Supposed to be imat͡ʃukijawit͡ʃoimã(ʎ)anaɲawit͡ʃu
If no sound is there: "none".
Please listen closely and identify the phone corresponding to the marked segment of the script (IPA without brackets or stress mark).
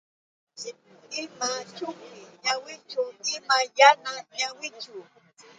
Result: j